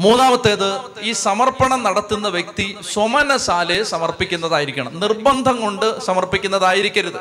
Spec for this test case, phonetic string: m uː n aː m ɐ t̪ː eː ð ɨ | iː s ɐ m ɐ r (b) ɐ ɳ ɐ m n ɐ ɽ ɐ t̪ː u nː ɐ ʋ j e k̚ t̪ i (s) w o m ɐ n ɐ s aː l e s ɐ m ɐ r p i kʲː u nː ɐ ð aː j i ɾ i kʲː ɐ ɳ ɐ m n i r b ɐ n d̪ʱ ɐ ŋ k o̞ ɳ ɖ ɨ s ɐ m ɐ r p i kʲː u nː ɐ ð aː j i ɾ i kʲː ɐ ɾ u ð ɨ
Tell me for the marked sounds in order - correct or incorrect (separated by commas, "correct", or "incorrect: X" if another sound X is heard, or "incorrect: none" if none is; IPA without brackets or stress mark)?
incorrect: p, correct